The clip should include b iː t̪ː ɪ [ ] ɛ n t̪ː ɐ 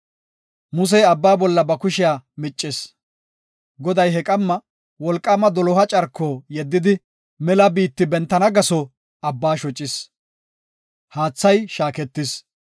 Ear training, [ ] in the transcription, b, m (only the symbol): b